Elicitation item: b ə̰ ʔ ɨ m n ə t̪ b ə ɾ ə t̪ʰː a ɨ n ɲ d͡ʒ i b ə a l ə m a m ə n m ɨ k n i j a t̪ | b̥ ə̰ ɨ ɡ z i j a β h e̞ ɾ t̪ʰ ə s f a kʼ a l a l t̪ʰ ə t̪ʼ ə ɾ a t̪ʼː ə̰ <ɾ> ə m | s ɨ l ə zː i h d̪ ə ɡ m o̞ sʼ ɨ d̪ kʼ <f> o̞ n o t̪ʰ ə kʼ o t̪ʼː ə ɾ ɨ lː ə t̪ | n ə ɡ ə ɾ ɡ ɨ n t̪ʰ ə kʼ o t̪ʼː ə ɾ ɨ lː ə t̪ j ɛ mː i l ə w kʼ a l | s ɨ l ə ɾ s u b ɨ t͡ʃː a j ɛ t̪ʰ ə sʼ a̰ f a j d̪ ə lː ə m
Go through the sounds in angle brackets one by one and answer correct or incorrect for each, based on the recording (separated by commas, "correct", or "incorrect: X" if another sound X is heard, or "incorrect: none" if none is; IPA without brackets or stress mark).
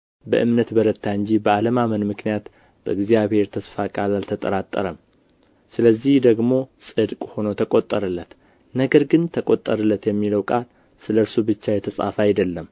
correct, incorrect: h